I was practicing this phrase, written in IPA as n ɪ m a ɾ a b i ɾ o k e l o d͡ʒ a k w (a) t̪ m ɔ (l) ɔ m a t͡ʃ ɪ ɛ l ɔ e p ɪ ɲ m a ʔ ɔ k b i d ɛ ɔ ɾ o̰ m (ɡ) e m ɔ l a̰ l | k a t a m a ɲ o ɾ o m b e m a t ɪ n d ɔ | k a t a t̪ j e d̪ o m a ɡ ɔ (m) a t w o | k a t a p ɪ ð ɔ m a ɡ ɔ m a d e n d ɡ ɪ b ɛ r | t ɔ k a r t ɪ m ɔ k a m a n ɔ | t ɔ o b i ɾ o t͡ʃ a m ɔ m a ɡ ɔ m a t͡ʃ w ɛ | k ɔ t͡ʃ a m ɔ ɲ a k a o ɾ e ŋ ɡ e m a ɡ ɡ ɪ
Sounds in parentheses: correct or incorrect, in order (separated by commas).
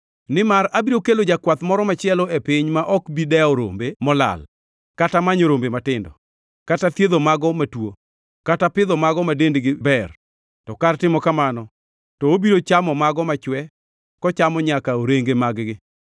correct, incorrect, incorrect, correct